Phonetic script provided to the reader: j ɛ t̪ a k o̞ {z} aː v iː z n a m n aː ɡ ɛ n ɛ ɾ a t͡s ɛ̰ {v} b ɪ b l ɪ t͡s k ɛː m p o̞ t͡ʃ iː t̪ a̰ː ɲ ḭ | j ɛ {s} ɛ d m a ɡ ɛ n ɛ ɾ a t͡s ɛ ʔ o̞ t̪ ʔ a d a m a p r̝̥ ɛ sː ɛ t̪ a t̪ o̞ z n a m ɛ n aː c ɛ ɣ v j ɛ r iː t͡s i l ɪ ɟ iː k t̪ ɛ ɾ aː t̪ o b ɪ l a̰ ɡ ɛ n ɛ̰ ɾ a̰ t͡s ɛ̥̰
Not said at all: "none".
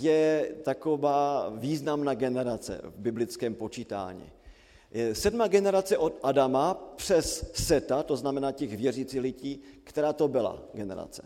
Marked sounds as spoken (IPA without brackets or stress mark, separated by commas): v, v, s